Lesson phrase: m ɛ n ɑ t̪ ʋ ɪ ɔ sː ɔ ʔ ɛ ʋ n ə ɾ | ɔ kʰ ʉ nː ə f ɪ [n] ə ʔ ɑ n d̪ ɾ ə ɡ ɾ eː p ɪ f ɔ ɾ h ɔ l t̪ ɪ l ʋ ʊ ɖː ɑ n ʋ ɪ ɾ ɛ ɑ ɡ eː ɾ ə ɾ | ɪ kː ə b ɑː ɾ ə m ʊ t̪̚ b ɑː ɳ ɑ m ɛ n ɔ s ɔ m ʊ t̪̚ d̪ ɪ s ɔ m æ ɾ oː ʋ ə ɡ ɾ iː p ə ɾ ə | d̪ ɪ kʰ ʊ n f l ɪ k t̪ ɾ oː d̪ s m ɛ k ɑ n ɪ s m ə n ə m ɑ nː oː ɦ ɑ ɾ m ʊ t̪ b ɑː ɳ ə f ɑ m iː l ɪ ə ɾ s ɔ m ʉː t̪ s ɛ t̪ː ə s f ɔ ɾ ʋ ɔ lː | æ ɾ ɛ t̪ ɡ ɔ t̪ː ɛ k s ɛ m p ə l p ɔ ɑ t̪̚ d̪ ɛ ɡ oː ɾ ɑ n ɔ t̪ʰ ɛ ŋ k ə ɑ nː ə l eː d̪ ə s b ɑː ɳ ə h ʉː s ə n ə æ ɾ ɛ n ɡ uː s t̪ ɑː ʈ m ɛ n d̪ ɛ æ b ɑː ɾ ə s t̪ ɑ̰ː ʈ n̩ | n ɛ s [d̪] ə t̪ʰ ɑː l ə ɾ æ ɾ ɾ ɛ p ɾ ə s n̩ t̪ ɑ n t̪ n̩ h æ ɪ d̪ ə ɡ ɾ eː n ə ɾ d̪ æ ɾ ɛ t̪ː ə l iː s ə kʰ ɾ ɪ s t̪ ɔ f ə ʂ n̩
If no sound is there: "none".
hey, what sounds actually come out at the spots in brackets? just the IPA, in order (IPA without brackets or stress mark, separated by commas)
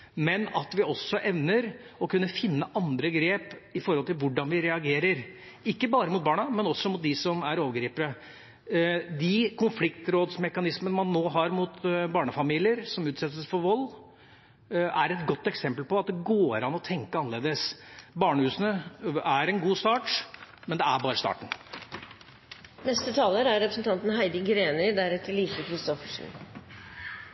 nː, t̪